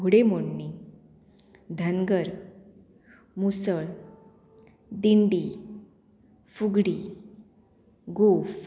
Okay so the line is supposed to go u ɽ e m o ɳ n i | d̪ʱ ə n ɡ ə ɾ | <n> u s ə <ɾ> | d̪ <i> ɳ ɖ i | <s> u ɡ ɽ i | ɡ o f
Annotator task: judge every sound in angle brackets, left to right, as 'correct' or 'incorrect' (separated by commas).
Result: incorrect, incorrect, correct, incorrect